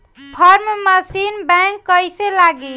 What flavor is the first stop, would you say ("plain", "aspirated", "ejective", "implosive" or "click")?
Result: aspirated